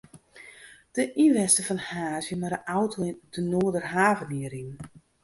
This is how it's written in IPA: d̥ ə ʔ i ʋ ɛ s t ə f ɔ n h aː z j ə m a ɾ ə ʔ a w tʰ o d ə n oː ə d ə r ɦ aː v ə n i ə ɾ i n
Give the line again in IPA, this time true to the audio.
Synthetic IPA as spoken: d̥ ə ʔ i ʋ ɛ s t ə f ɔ n h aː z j ə m a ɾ ə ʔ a w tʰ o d ə n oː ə d ə r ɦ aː v ə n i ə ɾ i n